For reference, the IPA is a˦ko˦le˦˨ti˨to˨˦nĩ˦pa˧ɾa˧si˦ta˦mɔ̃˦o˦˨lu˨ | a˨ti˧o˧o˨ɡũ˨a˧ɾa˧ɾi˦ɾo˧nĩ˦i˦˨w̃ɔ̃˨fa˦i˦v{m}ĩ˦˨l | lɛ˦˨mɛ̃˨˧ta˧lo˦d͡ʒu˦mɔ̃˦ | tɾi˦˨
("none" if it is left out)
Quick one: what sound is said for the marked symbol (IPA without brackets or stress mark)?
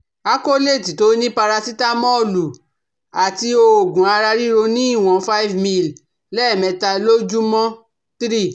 m